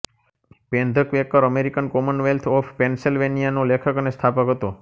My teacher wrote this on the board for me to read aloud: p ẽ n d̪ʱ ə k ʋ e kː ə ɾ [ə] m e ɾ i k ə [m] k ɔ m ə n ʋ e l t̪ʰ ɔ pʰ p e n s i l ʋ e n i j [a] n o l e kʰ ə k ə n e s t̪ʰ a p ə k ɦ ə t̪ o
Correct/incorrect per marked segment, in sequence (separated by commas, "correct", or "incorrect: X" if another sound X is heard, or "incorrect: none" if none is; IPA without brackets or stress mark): correct, incorrect: n, correct